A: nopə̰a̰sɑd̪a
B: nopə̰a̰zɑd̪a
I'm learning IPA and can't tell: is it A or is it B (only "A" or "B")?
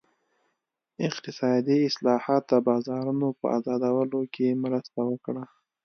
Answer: B